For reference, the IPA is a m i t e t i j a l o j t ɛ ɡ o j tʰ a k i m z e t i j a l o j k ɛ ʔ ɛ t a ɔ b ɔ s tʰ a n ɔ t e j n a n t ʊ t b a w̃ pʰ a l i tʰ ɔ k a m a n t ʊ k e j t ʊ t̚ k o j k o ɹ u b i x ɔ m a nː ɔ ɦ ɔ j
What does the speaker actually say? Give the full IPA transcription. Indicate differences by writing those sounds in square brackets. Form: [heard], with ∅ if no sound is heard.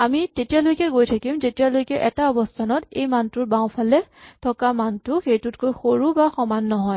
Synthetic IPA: a m i t e t i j a l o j [k] ɛ ɡ o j tʰ a k i m z e t i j a l o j k ɛ ʔ ɛ t a ɔ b ɔ s tʰ a n ɔ t e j [m] a n t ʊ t b a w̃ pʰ a l [ɛ] tʰ ɔ k a m a n t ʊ [x] e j t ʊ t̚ k o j [x] o ɹ u b [a] x ɔ m a nː ɔ ɦ ɔ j

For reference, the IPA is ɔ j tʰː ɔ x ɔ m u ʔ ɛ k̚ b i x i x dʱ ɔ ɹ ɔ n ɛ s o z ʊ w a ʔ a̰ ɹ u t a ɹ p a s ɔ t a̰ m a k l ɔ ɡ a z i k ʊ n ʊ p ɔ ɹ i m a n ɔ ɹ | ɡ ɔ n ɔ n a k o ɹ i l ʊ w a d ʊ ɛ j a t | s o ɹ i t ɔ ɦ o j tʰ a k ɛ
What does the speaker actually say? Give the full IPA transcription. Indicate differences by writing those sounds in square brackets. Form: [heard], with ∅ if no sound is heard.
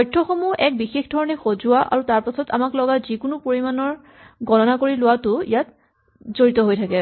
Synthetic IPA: ɔ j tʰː ɔ x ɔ m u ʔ ɛ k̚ b i x [e] x dʱ ɔ ɹ ɔ n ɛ [x] o z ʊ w a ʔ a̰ ɹ u t a ɹ p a s ɔ t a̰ m a k l ɔ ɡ a z i k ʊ n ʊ p [o] ɹ i m a n ɔ ɹ | ɡ ɔ n ɔ n a k o ɹ i l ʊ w a [t] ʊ [i] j a t | [z] o ɹ i t ɔ ɦ o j tʰ a k ɛ

